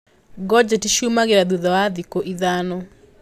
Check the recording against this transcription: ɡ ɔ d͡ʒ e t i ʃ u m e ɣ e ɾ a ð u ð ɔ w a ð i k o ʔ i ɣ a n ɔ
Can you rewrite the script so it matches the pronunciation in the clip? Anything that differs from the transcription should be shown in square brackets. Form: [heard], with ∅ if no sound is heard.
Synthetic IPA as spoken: ɡ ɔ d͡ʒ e t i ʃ u m [a] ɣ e ɾ a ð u ð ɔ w a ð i k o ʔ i [ð] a n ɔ